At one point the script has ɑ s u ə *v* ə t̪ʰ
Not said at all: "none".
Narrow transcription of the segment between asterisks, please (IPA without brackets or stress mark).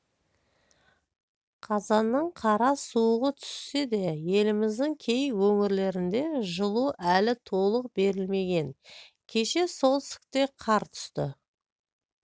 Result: ʁ